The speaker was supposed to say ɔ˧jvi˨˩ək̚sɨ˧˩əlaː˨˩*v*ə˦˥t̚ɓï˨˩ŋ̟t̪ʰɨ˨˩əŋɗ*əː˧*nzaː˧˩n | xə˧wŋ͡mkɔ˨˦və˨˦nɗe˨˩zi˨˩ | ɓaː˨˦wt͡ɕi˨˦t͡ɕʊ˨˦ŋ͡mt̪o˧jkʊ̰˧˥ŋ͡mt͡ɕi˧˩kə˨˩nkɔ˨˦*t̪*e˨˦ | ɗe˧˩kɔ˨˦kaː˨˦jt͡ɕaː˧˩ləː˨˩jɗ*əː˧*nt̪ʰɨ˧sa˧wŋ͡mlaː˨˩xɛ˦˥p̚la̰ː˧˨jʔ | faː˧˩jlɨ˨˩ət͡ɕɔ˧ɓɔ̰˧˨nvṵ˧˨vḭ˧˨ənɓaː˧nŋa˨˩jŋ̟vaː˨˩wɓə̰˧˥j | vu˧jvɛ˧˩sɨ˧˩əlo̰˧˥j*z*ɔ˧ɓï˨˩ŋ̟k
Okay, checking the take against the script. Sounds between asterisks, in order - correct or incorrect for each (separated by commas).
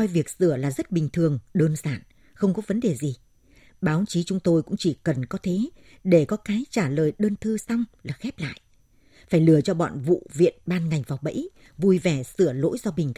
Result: incorrect, correct, incorrect, correct, correct